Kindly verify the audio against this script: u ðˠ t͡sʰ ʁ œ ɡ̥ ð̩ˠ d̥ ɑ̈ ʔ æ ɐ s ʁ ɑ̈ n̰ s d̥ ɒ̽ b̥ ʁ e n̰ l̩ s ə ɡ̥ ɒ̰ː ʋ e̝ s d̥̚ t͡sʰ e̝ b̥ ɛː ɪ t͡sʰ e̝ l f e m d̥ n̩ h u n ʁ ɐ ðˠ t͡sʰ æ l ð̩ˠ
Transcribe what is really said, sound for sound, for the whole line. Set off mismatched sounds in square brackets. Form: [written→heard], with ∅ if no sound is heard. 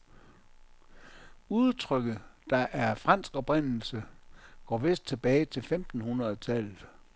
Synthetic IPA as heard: u ðˠ t͡sʰ ʁ œ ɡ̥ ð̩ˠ d̥ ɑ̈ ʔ æ ɐ [s→f] ʁ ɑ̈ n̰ s [d̥→ɡ̥] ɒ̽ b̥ ʁ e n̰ l̩ s ə ɡ̥ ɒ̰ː ʋ e̝ s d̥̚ t͡sʰ e̝ b̥ ɛː ɪ t͡sʰ e̝ l f e m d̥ n̩ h u n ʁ ɐ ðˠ t͡sʰ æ l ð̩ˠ